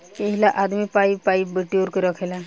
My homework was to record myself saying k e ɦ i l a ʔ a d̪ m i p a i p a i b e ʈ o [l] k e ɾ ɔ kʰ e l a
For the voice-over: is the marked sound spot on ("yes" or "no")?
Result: no